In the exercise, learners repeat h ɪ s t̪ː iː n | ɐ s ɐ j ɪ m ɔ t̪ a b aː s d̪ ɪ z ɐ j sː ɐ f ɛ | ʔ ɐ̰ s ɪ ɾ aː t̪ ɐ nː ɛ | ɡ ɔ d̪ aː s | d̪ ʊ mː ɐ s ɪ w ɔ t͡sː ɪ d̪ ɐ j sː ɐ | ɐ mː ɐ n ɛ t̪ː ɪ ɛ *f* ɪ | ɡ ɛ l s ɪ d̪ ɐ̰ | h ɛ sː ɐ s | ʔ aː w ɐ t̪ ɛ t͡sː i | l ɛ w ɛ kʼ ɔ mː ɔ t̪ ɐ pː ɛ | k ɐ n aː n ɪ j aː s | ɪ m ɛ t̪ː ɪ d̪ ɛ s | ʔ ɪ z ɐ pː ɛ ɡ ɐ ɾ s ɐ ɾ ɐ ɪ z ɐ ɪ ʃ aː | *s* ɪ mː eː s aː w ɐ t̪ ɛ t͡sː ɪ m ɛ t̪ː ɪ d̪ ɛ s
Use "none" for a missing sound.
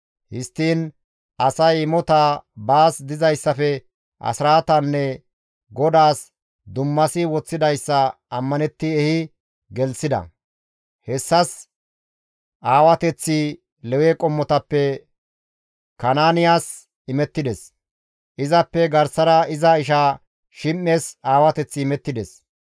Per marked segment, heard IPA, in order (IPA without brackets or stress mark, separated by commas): h, ʃ